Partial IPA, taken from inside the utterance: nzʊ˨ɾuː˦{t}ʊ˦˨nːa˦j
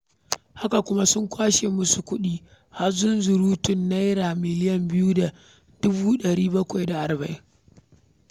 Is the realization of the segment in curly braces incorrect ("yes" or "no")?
no